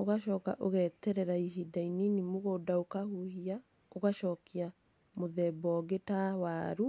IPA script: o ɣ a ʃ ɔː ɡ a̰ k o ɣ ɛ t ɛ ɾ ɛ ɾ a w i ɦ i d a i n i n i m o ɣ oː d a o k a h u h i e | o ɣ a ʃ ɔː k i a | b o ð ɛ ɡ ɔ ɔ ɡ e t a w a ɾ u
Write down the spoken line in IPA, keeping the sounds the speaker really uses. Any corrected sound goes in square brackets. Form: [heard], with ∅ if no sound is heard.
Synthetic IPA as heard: o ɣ a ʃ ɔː [k] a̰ [ʔ] o ɣ ɛ t ɛ ɾ ɛ ɾ a [∅] i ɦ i d a i n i n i m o ɣ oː d a o k a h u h i [a] | o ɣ a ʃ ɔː k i a | [m] o ð ɛ [b] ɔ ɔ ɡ e t a w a ɾ u